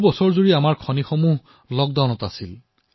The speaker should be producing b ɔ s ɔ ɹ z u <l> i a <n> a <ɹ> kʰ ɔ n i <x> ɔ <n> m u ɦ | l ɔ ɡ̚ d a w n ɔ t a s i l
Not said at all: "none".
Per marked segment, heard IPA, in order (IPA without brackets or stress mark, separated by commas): ɹ, m, ɹ, x, none